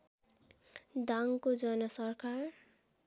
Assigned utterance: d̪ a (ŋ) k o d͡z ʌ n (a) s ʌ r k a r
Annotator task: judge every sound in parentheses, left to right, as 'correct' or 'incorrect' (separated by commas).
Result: correct, incorrect